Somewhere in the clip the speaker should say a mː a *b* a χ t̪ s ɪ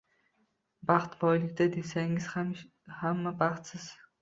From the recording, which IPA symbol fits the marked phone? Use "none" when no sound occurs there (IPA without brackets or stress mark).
b